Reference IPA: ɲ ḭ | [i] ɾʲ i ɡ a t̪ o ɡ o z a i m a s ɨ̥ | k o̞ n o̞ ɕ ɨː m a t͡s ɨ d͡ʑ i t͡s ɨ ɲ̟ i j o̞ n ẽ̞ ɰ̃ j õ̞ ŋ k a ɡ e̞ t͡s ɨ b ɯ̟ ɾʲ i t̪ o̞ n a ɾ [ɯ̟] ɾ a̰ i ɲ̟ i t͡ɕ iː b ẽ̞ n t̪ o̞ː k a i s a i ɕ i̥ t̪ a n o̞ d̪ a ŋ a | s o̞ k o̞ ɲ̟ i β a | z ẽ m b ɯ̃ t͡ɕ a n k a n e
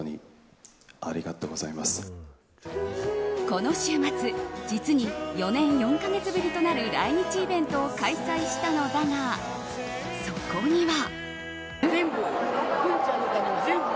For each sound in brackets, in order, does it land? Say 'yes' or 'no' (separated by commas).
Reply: no, yes